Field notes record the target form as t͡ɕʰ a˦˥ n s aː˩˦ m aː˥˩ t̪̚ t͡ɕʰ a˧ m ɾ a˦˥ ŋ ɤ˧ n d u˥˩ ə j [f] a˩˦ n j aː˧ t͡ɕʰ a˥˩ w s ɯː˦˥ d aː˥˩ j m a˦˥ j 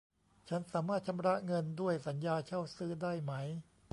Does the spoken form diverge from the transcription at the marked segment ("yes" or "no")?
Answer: yes